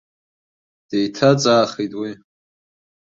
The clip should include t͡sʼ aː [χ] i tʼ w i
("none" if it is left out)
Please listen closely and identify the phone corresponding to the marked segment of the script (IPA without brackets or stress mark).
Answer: χ